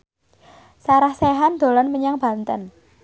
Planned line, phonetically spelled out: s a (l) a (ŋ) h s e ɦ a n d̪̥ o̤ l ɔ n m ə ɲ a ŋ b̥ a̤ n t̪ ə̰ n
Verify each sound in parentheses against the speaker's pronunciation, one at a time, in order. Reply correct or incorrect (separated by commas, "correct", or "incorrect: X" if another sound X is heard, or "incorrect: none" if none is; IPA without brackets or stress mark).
incorrect: ɾ, incorrect: none